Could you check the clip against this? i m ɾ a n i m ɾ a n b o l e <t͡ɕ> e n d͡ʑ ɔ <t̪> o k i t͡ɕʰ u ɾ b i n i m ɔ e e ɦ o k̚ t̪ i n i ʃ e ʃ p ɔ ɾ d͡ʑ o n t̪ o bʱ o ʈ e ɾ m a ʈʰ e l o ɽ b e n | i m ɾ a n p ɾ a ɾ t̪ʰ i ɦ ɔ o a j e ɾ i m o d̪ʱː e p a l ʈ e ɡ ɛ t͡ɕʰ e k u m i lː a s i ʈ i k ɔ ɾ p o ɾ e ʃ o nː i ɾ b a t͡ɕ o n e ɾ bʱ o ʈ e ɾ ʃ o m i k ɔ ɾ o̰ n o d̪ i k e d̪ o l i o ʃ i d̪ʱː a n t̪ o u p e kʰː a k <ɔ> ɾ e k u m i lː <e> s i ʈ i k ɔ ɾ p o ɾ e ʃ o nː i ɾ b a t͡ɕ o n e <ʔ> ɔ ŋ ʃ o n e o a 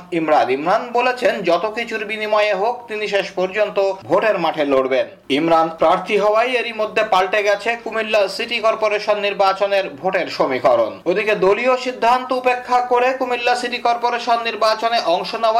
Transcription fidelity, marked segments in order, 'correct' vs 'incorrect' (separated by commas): incorrect, correct, incorrect, incorrect, correct